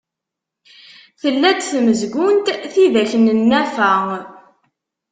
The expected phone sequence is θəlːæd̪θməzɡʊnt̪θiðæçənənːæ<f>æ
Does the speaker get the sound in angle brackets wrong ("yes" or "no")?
no